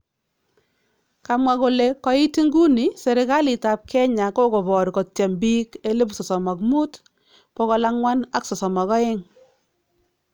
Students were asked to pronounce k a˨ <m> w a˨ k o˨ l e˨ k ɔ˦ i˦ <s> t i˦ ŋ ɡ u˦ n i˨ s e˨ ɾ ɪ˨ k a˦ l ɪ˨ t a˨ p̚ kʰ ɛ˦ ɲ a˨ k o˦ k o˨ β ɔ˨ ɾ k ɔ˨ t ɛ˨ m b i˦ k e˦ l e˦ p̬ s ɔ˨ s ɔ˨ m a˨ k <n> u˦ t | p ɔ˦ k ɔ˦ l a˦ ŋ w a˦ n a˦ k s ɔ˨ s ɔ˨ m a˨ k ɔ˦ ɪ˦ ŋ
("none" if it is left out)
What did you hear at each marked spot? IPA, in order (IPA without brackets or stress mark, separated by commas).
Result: m, none, m